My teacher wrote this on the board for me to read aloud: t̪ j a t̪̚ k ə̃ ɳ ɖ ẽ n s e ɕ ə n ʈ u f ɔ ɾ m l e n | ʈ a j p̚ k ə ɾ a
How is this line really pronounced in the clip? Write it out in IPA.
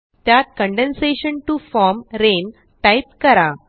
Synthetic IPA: t̪ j a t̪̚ k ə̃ ɳ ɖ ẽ n s e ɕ ə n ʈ u f ɔ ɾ m ɾ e n | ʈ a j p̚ k ə ɾ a